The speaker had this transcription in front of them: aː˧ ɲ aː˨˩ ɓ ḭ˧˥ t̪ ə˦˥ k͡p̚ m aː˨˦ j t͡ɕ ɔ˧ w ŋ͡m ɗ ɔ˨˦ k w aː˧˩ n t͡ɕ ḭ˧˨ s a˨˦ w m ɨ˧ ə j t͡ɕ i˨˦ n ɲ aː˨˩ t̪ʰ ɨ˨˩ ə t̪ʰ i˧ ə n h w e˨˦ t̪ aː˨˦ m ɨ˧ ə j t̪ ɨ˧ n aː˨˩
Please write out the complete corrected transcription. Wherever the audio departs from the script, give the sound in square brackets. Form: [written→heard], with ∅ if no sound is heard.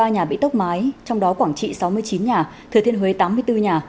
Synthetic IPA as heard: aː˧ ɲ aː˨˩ ɓ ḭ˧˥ t̪ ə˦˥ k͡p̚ m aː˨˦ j t͡ɕ ɔ˧ w ŋ͡m ɗ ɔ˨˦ k w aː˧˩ [n→ŋ] t͡ɕ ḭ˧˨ s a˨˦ w m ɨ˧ ə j t͡ɕ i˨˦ n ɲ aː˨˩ t̪ʰ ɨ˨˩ ə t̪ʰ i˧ ə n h w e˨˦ t̪ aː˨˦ m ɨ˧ ə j t̪ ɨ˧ [n→ɲ] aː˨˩